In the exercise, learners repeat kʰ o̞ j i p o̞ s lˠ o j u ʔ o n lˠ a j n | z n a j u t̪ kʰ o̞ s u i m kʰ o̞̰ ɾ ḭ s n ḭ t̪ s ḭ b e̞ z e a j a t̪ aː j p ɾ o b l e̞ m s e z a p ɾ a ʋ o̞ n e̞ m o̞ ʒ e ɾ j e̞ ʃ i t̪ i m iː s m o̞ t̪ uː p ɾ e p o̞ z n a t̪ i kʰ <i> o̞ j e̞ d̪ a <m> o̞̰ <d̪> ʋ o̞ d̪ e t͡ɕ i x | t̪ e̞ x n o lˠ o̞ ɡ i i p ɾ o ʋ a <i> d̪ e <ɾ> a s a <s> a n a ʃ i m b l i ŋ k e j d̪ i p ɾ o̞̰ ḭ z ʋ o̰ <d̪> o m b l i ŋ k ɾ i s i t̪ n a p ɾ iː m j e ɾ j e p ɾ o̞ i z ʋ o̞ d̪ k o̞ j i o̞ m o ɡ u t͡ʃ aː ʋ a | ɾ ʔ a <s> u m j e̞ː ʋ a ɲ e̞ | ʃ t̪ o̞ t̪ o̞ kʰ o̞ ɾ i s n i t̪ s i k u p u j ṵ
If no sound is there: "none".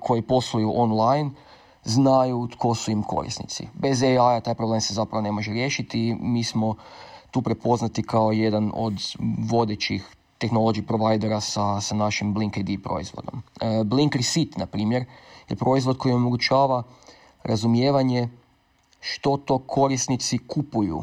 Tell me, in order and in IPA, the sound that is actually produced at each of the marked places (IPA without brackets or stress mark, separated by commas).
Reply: a, n, d̪, j, ɾ, s, d̪, z